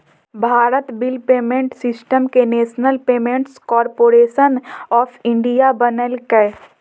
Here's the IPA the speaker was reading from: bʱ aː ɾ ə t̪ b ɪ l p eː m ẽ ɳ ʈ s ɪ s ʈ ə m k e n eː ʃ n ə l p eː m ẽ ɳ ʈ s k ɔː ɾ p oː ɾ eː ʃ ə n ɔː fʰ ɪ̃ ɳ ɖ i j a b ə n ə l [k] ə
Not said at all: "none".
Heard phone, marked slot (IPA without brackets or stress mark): k